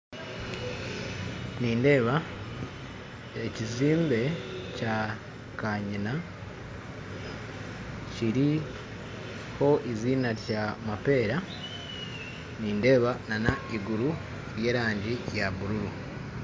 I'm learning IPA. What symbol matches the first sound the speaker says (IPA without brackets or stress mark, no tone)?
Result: n